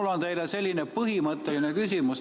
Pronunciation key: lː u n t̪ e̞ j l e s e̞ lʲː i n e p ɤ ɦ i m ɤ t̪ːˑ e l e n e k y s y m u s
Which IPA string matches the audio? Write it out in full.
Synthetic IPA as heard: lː o n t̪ e̞ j l e s e̞ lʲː i n e p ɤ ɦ i m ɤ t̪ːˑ e l i n e k y s i m u s